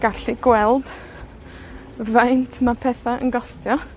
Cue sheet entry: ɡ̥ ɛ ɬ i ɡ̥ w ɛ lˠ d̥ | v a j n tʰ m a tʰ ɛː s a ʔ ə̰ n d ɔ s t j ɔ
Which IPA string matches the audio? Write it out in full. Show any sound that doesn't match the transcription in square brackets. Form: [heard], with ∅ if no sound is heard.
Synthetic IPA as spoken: ɡ̥ [a] ɬ i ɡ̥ w ɛ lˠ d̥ | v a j n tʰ m a [pʰ] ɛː [θ] a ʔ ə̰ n [ɡ] ɔ s t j ɔ